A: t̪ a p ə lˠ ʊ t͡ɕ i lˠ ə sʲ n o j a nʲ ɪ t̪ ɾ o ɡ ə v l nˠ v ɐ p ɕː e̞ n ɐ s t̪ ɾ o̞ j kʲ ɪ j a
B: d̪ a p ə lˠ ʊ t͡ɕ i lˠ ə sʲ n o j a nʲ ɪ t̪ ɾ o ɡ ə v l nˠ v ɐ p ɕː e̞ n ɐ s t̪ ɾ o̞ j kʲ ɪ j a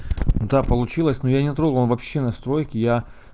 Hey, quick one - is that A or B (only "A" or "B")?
B